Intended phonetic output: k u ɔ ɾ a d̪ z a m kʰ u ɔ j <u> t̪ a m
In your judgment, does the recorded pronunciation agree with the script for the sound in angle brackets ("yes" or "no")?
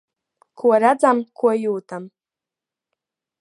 no